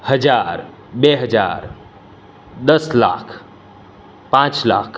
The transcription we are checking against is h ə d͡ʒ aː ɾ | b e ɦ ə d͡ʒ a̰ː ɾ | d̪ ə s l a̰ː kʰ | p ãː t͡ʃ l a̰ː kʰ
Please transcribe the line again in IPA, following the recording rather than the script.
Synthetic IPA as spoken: h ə d͡ʒ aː ɾ | b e ɦ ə d͡ʒ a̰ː ɾ | d̪ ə s l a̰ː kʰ | p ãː t͡ʃ l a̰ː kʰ